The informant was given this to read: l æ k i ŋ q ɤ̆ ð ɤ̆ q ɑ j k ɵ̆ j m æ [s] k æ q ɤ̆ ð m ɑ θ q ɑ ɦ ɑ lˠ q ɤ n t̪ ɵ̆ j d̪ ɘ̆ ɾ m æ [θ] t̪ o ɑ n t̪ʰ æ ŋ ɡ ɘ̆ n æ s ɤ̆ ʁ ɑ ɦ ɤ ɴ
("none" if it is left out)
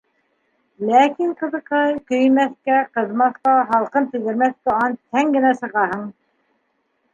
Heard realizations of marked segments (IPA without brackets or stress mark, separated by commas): θ, θ